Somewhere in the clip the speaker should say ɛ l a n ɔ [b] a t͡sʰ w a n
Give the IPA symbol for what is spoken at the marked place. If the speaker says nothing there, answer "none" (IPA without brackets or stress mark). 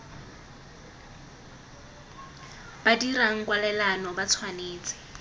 b